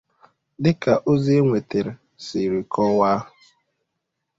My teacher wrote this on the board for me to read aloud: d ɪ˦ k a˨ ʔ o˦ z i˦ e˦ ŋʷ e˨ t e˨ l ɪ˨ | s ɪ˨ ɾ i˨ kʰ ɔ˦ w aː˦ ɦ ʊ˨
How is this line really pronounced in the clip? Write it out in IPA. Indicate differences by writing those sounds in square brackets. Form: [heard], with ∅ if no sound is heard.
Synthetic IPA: d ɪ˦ k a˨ ʔ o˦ z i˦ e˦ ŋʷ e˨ t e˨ [ɾ] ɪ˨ | s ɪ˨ ɾ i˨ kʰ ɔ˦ w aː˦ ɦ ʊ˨